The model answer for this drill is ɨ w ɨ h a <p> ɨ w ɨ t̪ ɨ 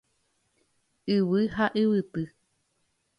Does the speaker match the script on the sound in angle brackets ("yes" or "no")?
no